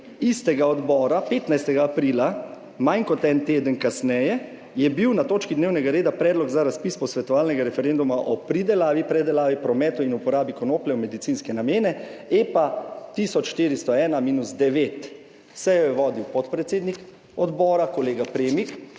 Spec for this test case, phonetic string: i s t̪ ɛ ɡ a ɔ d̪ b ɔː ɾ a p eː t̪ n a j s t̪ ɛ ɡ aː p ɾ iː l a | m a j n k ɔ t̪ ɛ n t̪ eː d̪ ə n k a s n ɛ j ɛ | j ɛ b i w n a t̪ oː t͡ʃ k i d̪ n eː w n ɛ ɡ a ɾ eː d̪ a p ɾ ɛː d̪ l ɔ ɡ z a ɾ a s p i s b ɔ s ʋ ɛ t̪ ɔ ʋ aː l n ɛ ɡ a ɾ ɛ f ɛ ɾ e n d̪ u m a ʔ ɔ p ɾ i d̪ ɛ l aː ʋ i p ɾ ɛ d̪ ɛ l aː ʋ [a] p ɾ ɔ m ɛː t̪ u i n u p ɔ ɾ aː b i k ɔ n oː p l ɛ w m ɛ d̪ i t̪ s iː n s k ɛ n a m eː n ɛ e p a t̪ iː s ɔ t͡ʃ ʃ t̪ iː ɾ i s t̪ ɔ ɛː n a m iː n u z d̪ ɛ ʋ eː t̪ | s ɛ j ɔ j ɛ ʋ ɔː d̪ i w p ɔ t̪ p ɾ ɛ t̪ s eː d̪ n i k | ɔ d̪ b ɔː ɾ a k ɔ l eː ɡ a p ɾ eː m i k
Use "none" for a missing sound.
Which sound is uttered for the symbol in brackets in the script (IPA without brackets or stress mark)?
i